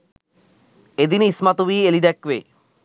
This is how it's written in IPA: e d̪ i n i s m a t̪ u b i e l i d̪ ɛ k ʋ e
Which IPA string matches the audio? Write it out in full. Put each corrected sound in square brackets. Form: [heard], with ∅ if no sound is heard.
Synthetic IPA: e d̪ i n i s m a t̪ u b i e l i d̪ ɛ k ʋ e